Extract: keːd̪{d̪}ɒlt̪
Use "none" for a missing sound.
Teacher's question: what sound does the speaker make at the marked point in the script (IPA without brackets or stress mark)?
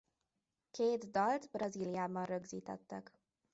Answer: d̪